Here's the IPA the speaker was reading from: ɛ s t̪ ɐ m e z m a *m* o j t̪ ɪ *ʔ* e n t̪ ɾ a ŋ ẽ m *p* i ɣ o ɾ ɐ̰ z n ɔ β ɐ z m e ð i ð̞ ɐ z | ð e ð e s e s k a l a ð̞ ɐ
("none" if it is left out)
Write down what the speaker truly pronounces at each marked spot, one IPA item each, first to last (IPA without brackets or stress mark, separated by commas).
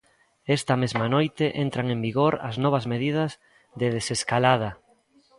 n, ʔ, b